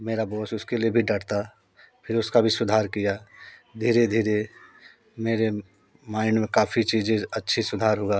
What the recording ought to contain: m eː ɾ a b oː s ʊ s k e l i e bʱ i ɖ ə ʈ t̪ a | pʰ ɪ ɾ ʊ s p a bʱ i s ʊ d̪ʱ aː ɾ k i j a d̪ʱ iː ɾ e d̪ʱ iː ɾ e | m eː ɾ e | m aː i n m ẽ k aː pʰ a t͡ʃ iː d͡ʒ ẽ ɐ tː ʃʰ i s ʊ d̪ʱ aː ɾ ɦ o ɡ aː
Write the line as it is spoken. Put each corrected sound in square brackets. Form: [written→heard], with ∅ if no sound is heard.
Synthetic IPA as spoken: m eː ɾ a b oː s ʊ s k e l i e bʱ i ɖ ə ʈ t̪ a | pʰ ɪ ɾ ʊ s [p→k] a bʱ i s ʊ d̪ʱ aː ɾ k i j a d̪ʱ iː ɾ e d̪ʱ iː ɾ e | m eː ɾ e | m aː [i→ɪ] n m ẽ k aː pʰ [a→i] t͡ʃ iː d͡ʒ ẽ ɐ tː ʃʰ i s ʊ d̪ʱ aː ɾ ɦ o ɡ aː